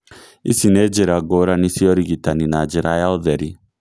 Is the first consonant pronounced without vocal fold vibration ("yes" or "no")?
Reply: yes